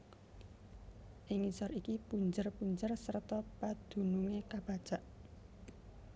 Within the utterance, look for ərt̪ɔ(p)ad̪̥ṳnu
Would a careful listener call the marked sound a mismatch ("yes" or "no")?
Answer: no